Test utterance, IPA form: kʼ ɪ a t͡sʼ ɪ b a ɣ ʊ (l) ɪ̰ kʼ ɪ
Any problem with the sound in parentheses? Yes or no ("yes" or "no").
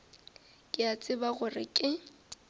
yes